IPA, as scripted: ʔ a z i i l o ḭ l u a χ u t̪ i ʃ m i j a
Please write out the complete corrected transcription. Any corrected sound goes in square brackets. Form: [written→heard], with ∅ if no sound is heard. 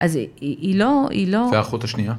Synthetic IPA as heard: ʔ a z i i l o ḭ l [u→o] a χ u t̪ [i→a] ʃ [m→n] i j a